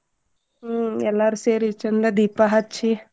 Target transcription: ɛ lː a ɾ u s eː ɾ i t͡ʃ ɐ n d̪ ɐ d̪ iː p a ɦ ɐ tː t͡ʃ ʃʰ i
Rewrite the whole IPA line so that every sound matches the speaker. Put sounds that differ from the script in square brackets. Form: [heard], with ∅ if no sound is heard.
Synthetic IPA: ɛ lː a ɾ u s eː ɾ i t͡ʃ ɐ n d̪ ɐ d̪ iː p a ɦ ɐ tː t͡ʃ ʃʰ i